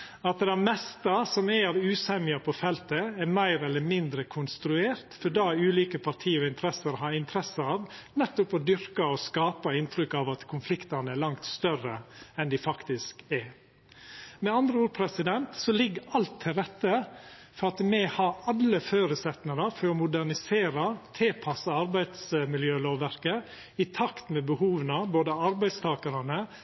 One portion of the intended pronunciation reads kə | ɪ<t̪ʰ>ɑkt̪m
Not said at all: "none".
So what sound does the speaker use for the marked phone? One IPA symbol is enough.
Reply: t̪ʰ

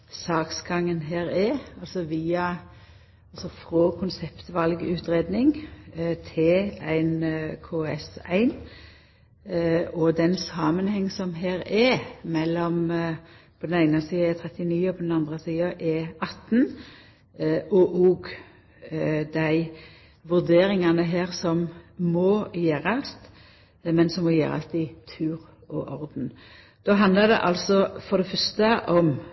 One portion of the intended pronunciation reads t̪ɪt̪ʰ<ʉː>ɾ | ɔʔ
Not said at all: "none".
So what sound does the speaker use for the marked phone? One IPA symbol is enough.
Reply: ʉː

